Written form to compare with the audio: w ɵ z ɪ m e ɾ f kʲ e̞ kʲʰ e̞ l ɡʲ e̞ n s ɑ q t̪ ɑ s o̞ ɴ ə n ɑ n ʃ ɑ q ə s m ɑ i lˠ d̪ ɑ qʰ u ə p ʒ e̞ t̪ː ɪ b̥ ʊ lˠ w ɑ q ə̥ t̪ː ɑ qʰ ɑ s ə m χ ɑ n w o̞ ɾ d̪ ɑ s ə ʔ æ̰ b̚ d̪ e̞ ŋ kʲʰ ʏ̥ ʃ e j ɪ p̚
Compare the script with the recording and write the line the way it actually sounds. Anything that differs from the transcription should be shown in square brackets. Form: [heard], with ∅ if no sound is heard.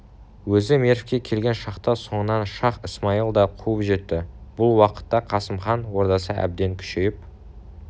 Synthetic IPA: w ɵ z ɪ m e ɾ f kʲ e̞ kʲʰ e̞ l ɡʲ e̞ n [ʃ] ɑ q t̪ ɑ s o̞ ɴ ə n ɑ n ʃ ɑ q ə s m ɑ i lˠ d̪ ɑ qʰ u ə p ʒ e̞ t̪ː ɪ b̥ ʊ lˠ w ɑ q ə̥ t̪ː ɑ qʰ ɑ s ə m χ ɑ n w o̞ ɾ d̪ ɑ s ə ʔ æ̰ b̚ d̪ e̞ ŋ kʲʰ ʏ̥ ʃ e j ɪ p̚